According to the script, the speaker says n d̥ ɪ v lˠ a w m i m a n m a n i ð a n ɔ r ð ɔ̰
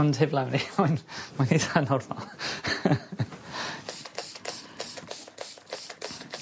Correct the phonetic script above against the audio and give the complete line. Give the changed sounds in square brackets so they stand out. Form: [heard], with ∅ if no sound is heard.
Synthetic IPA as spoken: n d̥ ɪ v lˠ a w [n] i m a n m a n i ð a n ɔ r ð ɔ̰

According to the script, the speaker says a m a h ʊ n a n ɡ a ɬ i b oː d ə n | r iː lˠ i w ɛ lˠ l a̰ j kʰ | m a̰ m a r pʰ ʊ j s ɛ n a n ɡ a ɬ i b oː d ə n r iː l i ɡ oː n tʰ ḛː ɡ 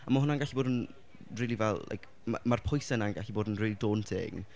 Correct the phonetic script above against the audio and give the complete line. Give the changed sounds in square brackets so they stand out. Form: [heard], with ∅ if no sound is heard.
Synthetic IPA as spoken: a m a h ʊ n a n ɡ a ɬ i b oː d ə n | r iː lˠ i [v] ɛ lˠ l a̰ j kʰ | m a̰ m a r pʰ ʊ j s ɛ n a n ɡ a ɬ i b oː d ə n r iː l i [d] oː n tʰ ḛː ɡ

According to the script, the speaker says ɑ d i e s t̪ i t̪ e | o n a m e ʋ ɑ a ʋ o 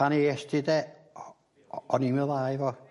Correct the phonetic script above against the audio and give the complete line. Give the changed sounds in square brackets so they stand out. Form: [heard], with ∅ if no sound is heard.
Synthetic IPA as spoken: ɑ [n] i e s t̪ i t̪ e | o n [i] m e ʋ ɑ [i] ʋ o

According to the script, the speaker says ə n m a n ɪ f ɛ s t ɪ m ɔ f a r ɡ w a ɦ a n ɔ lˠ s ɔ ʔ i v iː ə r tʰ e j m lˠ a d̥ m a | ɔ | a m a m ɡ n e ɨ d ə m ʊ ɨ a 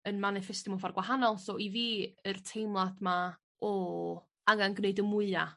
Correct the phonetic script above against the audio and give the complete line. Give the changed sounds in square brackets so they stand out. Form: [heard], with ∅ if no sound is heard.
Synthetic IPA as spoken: ə n m a n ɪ f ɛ s t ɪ m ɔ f a r ɡ w a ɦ a n ɔ lˠ s ɔ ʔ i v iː ə r tʰ e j m lˠ a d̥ m a | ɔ | a [ŋ] a [n] ɡ n e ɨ d ə m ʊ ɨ a

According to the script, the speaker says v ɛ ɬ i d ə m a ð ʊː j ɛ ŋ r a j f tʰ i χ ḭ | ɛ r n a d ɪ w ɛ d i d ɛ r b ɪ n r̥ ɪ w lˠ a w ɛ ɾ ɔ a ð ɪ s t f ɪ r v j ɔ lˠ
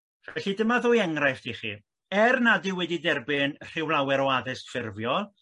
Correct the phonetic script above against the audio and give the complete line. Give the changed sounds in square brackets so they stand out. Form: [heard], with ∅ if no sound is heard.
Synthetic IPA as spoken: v ɛ ɬ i d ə m a ð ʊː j ɛ ŋ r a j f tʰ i χ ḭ | ɛ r n a d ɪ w ɛ d i d ɛ r b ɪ n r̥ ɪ w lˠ a w ɛ ɾ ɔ a ð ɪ s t f ɪ r v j ɔ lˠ

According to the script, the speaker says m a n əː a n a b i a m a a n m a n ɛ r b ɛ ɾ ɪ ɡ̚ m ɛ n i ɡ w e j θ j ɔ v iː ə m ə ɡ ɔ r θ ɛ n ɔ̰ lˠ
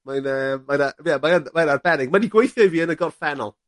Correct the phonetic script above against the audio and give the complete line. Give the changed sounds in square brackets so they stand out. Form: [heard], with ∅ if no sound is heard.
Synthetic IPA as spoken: m a n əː a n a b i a m a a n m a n [a] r b ɛ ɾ ɪ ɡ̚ m [a] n i ɡ w e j θ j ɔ v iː ə [n] ə ɡ ɔ r [f] ɛ n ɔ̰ lˠ

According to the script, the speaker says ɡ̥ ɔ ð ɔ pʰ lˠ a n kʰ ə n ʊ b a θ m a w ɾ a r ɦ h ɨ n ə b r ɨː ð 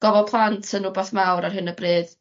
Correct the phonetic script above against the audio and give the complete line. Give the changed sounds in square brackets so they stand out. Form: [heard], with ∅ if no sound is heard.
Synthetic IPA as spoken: ɡ̥ ɔ [v] ɔ pʰ lˠ a n [tʰ] ə n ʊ b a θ m a w ɾ a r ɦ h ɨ n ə b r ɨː ð

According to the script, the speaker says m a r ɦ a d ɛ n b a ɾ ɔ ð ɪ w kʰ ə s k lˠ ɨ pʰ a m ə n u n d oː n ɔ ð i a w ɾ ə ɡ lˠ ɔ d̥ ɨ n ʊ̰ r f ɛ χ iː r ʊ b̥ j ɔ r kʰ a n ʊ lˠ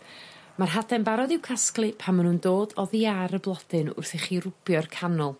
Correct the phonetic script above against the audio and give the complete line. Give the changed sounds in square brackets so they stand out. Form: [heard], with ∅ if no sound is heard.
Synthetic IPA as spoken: m a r ɦ a d ɛ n b a ɾ ɔ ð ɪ w kʰ [a] s k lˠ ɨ pʰ a m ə n u n d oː [d] ɔ ð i a [∅] ɾ ə [b] lˠ ɔ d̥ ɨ n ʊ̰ r [θ] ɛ χ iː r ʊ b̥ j ɔ r kʰ a n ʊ lˠ

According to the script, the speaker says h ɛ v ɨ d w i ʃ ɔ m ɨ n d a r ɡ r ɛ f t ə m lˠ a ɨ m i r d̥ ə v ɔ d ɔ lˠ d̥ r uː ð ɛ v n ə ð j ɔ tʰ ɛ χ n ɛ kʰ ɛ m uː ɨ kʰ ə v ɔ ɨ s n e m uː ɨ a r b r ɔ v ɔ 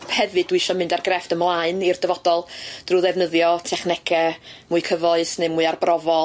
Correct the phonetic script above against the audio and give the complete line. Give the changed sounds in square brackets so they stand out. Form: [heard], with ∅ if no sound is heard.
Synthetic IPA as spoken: h ɛ v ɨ d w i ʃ ɔ m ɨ n d a r ɡ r ɛ f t ə m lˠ a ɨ [n] i r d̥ ə v ɔ d ɔ lˠ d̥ r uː ð ɛ v n ə ð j ɔ tʰ ɛ χ n ɛ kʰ ɛ m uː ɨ kʰ ə v ɔ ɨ s n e m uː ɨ a r b r ɔ v ɔ

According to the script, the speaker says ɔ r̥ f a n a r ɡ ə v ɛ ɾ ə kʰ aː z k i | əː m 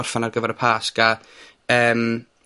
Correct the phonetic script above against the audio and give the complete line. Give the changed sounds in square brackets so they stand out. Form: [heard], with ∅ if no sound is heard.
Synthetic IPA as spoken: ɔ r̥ f a n a r ɡ ə v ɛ ɾ ə [pʰ] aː [s] k [a] | əː m

